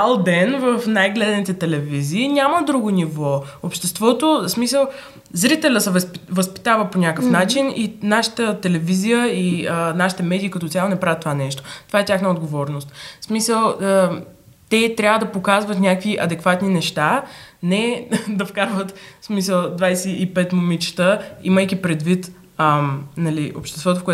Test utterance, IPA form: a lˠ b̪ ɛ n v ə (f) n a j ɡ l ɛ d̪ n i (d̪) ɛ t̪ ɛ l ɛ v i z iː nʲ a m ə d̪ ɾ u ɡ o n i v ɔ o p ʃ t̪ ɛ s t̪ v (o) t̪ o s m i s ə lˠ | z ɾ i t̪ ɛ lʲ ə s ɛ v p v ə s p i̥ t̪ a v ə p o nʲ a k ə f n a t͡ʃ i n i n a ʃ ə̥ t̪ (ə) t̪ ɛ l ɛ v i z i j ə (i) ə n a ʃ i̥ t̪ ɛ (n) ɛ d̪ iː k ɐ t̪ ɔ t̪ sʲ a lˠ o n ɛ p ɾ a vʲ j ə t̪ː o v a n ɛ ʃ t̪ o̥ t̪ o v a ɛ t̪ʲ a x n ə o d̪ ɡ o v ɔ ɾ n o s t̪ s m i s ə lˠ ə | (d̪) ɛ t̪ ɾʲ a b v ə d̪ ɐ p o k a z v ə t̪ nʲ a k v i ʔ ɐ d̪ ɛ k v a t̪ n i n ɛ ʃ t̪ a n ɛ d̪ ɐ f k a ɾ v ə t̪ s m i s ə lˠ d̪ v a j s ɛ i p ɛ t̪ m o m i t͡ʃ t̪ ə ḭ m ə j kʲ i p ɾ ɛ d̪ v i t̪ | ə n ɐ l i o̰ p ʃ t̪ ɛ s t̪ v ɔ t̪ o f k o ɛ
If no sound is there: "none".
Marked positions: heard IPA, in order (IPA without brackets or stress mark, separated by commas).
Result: f, t̪, ɔ, ə, i, m, t̪